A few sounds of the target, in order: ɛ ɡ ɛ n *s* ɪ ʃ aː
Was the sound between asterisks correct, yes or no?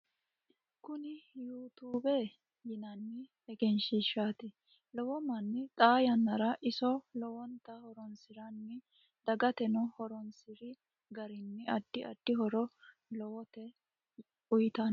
no